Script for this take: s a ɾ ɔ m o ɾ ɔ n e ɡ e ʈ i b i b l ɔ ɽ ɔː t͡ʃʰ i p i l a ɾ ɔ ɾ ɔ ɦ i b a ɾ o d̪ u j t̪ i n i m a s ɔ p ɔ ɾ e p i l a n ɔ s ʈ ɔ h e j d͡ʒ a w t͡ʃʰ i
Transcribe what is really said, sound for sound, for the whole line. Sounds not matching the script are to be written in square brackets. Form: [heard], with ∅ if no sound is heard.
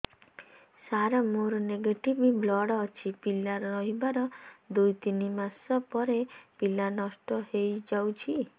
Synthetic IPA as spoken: s a ɾ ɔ m o ɾ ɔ n e ɡ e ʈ i b i b l ɔ ɽ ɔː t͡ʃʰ i p i l a ɾ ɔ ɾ ɔ ɦ i b a ɾ [ɔ] d̪ u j t̪ i n i m a s ɔ p ɔ ɾ e p i l a n ɔ s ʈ ɔ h e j d͡ʒ a w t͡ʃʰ i